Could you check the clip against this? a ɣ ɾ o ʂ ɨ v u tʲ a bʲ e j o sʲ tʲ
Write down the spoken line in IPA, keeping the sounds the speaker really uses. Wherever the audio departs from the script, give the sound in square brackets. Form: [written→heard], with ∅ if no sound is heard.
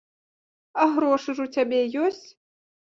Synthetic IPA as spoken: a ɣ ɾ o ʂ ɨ [v→ʐ] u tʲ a bʲ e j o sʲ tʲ